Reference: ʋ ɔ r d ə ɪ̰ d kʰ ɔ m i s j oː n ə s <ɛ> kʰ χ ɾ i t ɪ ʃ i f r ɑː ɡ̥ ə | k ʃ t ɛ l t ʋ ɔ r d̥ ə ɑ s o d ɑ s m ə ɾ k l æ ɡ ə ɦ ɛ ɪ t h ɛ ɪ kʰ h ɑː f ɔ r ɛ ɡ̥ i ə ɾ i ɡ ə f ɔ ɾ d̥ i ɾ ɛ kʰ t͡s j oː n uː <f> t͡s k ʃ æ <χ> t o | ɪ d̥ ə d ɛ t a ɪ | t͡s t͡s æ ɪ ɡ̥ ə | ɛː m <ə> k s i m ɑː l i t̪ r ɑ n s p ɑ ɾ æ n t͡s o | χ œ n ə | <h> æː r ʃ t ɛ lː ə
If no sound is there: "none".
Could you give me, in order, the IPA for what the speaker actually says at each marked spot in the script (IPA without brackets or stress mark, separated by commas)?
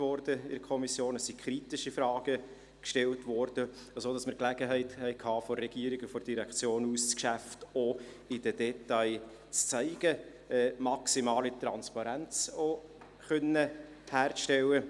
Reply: i, s, f, ɑ, h